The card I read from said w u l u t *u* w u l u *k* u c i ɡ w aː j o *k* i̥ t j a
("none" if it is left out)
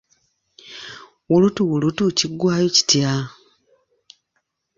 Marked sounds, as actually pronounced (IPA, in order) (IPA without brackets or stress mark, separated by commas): u, t, c